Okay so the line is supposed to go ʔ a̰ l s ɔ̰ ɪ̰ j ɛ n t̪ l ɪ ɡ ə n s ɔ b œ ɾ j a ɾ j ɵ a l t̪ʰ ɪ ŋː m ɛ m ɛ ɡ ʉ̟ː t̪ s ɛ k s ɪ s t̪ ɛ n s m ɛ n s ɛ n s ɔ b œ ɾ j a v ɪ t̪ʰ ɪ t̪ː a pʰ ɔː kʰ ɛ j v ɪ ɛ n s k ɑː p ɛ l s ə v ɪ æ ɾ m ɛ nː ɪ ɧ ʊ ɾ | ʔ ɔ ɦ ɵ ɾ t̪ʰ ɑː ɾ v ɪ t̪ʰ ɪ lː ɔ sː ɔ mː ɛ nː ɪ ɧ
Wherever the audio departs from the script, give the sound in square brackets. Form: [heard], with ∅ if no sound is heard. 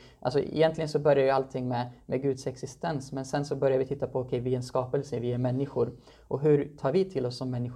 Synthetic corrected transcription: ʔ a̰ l s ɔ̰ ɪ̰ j ɛ n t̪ l ɪ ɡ ə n s ɔ b œ ɾ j a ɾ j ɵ a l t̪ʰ ɪ ŋː m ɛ m ɛ ɡ ʉ̟ː [d̪] s ɛ k s ɪ s t̪ ɛ n s m ɛ n s ɛ n s ɔ b œ ɾ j a v ɪ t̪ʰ ɪ t̪ː a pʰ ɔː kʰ ɛ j v ɪ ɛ n s k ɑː p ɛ l s ə v ɪ æ ɾ m ɛ nː ɪ ɧ ʊ ɾ | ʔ ɔ ɦ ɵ ɾ t̪ʰ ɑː ɾ v ɪ t̪ʰ ɪ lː ɔ sː ɔ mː ɛ nː ɪ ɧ